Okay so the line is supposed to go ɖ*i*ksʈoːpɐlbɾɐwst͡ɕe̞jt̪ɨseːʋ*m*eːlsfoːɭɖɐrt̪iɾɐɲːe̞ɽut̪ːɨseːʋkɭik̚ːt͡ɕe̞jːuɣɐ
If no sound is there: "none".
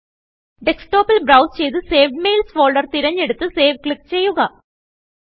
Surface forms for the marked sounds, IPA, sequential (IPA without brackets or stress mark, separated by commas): e, m